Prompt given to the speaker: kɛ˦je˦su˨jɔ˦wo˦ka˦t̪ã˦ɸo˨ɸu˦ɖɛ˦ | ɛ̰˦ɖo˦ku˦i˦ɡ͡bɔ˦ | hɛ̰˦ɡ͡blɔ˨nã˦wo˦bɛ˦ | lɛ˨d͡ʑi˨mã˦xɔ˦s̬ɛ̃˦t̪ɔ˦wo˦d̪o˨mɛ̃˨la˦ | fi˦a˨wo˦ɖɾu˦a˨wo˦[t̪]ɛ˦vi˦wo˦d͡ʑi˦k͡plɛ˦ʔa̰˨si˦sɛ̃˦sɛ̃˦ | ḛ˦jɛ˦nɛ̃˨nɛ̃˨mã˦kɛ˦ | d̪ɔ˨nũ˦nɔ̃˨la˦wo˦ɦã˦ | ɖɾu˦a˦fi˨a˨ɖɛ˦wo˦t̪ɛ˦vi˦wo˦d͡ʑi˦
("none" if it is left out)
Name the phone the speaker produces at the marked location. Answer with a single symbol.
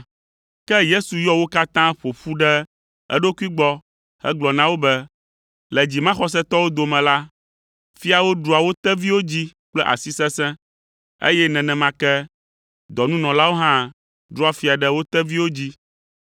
t̪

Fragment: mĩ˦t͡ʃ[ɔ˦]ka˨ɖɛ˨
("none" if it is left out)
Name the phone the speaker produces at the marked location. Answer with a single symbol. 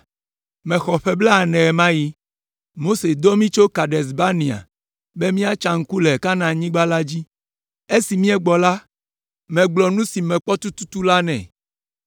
o˦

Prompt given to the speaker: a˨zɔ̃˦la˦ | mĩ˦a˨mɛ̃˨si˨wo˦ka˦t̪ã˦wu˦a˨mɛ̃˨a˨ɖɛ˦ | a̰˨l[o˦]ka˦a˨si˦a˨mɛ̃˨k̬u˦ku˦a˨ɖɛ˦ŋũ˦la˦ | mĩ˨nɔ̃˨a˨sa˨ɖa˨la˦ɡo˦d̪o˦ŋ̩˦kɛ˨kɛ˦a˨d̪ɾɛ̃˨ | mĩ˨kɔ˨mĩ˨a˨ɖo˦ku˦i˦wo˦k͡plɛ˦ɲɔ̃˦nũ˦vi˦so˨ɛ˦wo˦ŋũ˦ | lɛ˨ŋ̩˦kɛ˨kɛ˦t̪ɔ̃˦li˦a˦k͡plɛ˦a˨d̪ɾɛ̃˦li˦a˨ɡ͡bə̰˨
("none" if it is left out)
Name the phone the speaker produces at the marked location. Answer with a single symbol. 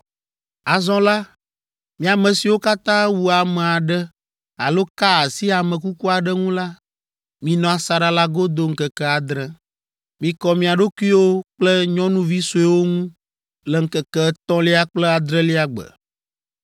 o˦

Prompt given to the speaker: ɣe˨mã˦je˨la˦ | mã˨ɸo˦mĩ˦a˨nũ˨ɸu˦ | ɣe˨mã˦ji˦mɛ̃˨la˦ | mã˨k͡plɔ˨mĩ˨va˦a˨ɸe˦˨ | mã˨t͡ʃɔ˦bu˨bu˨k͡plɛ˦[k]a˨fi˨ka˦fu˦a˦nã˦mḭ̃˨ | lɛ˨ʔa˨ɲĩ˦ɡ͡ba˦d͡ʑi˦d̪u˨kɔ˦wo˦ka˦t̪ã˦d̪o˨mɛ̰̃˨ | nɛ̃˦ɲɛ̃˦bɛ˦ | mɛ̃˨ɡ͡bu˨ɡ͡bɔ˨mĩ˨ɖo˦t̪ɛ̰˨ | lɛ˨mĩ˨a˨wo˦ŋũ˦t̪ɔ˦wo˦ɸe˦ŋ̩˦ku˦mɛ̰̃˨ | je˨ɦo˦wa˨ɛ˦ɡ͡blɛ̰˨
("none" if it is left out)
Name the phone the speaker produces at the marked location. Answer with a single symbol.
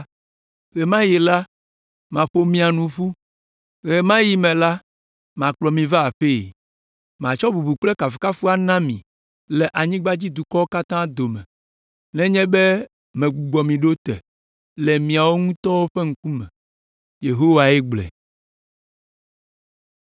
k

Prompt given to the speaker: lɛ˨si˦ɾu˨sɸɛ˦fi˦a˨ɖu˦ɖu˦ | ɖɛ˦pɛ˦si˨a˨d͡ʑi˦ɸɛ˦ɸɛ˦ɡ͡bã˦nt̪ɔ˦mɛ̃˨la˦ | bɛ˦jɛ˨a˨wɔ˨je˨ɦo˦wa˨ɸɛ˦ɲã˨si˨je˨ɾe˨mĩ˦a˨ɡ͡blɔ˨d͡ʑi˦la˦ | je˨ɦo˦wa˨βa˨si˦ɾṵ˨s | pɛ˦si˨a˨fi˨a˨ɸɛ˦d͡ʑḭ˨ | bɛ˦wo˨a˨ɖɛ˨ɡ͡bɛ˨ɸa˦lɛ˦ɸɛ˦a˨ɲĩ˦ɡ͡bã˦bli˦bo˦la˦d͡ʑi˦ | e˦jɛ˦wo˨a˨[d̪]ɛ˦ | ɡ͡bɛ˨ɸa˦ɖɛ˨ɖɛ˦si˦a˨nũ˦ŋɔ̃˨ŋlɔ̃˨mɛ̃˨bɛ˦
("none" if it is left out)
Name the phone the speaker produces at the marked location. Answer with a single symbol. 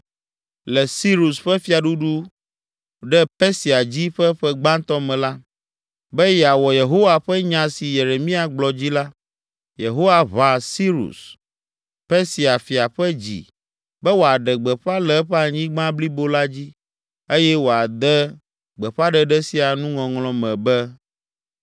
d̪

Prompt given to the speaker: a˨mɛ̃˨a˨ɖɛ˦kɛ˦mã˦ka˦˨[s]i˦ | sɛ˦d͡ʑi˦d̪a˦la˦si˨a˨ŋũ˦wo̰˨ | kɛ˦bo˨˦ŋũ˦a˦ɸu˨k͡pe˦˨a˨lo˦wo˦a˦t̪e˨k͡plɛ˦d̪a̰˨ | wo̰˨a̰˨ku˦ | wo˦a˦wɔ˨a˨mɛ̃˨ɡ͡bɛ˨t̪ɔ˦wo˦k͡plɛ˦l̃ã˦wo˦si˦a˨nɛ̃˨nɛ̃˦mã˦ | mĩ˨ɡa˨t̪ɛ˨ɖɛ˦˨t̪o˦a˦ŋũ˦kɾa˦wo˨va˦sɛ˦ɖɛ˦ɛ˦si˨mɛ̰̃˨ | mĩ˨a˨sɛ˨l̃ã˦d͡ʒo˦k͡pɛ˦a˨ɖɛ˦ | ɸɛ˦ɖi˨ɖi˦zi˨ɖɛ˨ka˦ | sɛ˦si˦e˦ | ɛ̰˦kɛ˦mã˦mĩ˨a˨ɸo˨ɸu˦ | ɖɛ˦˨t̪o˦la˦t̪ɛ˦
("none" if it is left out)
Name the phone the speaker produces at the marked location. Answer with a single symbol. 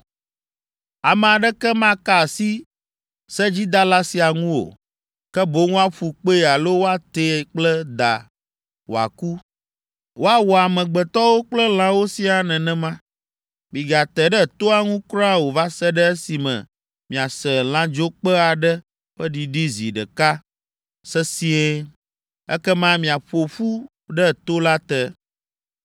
s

